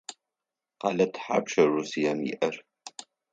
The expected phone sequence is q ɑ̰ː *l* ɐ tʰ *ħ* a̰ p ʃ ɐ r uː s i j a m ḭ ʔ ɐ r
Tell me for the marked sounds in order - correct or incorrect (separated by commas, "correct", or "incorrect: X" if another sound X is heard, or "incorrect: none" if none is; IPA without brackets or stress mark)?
correct, correct